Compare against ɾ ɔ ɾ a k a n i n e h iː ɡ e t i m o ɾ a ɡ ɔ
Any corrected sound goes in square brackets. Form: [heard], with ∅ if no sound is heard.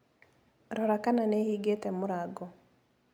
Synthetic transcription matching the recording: ɾ ɔ ɾ a k a n [a] n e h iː ɡ e t [ɛ] m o ɾ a ɡ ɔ